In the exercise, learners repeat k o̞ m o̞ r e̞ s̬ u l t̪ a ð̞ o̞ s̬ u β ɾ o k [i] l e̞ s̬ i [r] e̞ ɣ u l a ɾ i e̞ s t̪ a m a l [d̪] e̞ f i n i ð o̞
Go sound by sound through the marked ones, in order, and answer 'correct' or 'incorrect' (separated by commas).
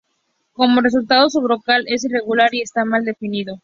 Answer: incorrect, correct, correct